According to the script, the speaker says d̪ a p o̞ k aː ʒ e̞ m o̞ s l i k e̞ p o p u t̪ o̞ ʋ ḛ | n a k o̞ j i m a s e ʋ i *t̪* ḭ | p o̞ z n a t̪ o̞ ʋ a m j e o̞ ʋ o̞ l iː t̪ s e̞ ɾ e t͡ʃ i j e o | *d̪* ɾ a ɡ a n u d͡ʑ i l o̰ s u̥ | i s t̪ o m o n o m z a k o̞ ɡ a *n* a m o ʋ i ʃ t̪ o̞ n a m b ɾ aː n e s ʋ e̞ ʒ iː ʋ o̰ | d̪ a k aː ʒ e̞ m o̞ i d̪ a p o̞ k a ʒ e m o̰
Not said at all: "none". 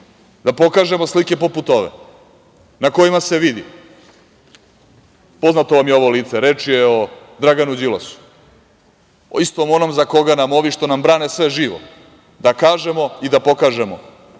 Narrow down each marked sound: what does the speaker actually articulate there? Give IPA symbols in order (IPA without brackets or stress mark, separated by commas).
d̪, d̪, n